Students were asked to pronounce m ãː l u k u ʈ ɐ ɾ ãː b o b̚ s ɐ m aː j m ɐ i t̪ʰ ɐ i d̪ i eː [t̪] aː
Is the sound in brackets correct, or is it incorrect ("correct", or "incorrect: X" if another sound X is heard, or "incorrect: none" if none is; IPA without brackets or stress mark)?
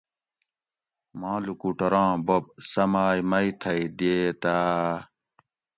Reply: correct